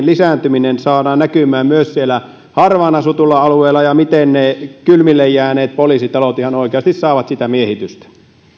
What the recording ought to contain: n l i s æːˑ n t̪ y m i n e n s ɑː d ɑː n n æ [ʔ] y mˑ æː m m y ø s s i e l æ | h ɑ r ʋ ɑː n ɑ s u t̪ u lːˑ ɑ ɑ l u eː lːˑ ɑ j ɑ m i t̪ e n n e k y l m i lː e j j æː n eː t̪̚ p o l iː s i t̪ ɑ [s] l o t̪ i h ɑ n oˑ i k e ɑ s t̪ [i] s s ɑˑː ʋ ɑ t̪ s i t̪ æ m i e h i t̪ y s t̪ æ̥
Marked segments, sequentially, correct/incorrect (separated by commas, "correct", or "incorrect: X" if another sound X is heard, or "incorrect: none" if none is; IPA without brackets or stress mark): incorrect: k, incorrect: none, correct